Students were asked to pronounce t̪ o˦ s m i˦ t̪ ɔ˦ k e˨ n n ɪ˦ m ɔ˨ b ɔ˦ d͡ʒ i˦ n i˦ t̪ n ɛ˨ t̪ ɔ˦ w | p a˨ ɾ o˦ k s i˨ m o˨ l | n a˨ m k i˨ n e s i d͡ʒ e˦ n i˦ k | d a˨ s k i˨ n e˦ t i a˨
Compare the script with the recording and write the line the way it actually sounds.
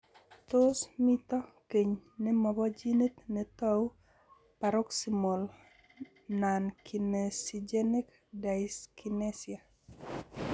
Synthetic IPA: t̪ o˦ s m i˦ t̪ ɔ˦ k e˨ ɲ n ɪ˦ m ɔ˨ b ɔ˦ d͡ʒ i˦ n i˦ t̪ n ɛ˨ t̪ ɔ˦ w | p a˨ ɾ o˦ k s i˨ m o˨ l | n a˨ n k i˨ n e s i d͡ʒ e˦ n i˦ k | d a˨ s k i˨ n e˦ s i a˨

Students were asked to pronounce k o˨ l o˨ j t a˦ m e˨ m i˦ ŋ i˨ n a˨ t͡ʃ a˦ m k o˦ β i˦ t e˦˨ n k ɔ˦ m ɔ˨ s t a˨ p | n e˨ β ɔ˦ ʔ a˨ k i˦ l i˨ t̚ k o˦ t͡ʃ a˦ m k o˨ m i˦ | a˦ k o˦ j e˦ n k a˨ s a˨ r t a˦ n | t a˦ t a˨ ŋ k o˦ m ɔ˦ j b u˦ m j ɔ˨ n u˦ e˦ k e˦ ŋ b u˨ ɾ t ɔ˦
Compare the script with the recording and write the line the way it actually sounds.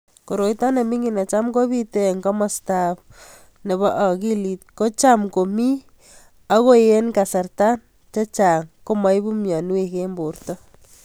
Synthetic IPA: k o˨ ɾ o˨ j t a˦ n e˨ m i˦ ŋ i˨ n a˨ t͡ʃ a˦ m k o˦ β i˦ t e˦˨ ŋ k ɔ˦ m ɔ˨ s t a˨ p | n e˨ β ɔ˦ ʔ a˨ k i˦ l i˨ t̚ k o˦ t͡ʃ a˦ m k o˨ m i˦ | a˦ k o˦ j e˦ n k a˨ s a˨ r t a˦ n | t͡ʃ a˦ t͡ʃ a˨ ŋ k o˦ m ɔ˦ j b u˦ m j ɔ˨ n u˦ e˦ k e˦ m b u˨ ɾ t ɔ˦

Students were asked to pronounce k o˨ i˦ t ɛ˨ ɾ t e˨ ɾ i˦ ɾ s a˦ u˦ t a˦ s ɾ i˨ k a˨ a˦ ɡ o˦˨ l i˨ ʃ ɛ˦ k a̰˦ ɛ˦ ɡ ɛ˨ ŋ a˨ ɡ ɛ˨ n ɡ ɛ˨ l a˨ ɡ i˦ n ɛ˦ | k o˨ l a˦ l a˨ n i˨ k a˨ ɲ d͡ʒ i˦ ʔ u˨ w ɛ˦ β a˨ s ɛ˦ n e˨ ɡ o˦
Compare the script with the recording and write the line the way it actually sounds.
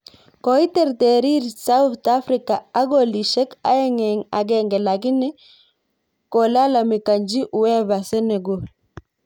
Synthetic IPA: k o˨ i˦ t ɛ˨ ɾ t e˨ ɾ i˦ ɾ s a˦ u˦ t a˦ f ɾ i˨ k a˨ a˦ ɡ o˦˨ l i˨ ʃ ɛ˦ k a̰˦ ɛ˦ ŋ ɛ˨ ŋ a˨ ɡ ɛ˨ ŋ ɡ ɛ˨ l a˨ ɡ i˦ n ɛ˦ | k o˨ l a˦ l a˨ m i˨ k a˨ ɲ d͡ʒ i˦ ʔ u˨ w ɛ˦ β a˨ s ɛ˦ n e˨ ɡ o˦

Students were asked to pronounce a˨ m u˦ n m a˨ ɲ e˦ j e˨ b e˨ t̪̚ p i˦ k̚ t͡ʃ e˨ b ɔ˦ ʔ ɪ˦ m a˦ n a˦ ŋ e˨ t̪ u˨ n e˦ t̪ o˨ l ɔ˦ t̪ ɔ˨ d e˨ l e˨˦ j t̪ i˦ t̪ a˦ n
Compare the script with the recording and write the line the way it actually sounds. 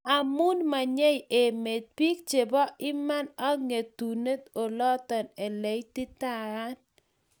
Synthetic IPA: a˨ m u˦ n m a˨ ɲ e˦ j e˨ m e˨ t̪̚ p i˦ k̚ t͡ʃ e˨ b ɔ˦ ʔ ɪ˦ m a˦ n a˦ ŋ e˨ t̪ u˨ n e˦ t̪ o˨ l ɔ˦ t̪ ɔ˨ n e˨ l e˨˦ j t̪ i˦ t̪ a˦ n

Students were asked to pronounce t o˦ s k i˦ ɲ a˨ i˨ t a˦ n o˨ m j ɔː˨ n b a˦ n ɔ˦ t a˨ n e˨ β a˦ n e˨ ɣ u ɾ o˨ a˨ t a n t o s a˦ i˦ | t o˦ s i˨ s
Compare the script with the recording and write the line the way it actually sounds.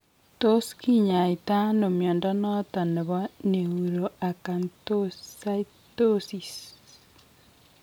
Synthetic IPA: t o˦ s k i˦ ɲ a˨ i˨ t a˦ n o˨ m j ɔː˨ n d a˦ n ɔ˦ t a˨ n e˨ β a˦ n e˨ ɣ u ɾ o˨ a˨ k a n t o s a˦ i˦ | t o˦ s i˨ s

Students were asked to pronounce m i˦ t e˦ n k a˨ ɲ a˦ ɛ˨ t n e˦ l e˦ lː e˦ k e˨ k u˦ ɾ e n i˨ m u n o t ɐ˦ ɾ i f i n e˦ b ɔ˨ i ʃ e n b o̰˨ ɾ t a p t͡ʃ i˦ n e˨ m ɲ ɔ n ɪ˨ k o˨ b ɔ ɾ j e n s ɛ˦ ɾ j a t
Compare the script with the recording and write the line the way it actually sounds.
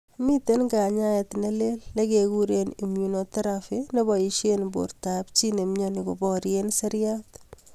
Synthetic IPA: m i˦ t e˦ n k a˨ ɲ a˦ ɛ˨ t n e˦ l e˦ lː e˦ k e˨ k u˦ ɾ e n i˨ m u n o t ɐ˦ ɾ a f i n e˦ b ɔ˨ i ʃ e n b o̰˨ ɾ t a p t͡ʃ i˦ n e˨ m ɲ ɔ n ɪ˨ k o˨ b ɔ ɾ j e n s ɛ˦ ɾ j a t

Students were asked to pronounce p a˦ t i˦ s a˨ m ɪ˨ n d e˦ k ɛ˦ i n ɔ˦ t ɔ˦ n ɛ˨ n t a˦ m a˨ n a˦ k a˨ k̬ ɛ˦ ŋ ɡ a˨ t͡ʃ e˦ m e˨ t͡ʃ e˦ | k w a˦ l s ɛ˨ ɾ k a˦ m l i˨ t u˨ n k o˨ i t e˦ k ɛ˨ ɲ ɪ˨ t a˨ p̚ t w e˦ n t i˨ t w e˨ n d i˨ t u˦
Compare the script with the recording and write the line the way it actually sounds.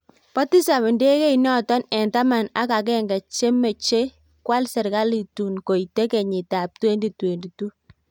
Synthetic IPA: p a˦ t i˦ s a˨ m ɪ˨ n d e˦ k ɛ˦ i n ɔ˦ t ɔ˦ n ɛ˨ n t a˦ m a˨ n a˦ k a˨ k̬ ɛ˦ ŋ ɡ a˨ t͡ʃ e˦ m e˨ t͡ʃ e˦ | k w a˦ l s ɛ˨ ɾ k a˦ l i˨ t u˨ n k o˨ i t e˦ k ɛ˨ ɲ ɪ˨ t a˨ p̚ t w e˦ n d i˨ t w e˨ n d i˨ t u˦

